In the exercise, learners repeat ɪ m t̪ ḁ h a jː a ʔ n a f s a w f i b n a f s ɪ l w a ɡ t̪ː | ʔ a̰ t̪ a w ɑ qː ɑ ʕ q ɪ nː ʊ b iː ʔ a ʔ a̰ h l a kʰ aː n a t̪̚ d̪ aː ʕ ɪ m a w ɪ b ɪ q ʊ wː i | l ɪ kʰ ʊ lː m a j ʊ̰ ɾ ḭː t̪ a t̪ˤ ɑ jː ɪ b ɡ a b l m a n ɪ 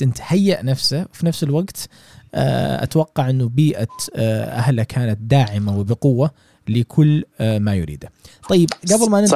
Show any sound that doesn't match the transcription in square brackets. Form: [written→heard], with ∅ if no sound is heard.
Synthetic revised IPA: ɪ [m→n] t̪ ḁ h a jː a ʔ n a f s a w f i [b→∅] n a f s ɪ l w a ɡ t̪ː | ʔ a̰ t̪ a w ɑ qː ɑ ʕ [q→ʔ] ɪ nː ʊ b iː ʔ a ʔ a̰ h l a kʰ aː n a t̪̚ d̪ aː ʕ ɪ m a w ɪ b ɪ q ʊ wː [i→a] | l ɪ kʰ ʊ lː m a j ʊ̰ ɾ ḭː [t̪→d̪] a t̪ˤ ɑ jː ɪ b ɡ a b l m a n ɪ